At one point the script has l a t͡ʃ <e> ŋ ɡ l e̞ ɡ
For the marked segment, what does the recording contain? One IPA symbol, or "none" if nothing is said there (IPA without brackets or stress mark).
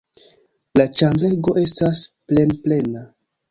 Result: a